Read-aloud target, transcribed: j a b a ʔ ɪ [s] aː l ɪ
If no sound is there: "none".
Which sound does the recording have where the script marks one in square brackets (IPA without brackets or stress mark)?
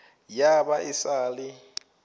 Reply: s